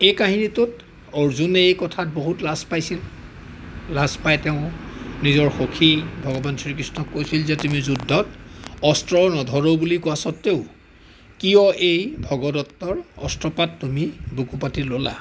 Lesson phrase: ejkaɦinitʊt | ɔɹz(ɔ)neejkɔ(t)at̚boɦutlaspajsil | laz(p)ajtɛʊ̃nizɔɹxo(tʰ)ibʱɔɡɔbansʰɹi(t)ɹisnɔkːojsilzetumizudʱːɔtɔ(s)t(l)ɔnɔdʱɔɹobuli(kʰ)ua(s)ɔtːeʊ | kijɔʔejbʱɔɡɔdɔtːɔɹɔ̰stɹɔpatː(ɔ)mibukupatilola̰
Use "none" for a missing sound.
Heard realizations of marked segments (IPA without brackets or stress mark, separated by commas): u, tʰ, p, kʰ, k, s, ɹ, k, s, u